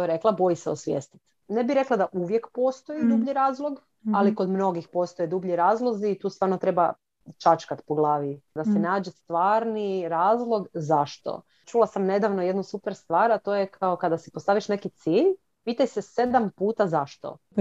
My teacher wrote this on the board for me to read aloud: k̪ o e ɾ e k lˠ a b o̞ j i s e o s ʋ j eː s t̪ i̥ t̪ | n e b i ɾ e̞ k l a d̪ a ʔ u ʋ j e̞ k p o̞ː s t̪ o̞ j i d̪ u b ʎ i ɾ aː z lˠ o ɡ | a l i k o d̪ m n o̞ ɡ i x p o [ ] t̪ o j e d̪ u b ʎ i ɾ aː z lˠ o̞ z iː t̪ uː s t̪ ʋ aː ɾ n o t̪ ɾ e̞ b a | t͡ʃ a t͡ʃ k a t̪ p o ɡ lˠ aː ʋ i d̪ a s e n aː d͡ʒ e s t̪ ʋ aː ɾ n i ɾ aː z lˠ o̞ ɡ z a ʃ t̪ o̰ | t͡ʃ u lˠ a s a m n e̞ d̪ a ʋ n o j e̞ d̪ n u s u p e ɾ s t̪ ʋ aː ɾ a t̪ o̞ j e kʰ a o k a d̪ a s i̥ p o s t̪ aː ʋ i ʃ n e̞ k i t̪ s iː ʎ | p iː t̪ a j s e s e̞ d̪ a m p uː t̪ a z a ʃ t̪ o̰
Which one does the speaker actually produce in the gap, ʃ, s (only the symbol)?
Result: s